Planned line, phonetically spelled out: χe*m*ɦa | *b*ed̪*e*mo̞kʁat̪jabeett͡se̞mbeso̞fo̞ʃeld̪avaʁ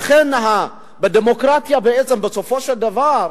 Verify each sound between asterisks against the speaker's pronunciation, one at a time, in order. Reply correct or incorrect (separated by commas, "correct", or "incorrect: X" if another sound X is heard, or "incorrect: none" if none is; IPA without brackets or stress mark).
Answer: incorrect: n, correct, correct